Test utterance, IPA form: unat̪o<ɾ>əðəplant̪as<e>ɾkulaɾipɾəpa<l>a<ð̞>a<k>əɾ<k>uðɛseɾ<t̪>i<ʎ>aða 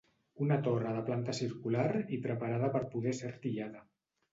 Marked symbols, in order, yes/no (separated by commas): no, no, no, yes, no, no, yes, yes